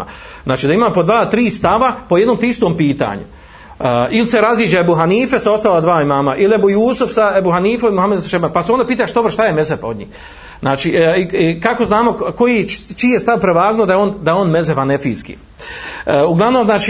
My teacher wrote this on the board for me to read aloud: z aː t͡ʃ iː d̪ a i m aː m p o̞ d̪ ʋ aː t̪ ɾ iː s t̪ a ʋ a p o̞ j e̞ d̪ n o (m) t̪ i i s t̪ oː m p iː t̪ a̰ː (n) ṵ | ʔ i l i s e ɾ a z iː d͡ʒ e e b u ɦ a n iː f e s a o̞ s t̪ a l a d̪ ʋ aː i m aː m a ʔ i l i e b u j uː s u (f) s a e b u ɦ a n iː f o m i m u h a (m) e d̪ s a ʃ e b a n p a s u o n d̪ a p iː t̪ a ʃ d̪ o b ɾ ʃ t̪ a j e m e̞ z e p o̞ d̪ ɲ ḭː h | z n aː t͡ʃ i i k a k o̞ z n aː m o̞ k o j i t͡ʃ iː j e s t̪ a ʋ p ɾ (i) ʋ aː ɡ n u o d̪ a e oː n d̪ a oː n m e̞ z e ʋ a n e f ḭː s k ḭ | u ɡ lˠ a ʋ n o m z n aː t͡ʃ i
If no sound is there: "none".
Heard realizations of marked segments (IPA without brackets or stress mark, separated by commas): m, ɲ, f, m, e